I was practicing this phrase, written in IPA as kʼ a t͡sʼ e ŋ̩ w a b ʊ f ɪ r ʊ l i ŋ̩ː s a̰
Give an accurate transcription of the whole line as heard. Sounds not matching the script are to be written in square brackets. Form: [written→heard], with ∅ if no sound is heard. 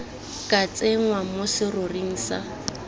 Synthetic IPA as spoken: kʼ a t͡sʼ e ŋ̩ w a [b→m] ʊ [f→s] ɪ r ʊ [l→r] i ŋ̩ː s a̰